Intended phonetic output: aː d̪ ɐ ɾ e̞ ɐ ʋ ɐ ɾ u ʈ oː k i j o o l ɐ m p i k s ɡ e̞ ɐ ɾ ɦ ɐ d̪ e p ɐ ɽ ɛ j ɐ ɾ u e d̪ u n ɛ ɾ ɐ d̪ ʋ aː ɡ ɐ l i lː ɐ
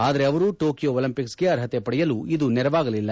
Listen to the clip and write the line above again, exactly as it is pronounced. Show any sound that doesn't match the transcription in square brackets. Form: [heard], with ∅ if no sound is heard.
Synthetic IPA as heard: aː d̪ ɐ ɾ e̞ ɐ ʋ ɐ ɾ u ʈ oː k i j o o l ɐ m p i k s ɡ e̞ ɐ ɾ ɦ ɐ [t̪] e p ɐ ɽ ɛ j ɐ [l] u [i] d̪ u n ɛ ɾ ɐ [∅] ʋ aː ɡ ɐ l i lː ɐ